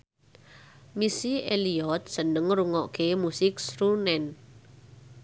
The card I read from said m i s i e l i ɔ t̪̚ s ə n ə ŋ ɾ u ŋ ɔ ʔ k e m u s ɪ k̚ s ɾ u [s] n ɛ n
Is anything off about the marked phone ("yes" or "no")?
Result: yes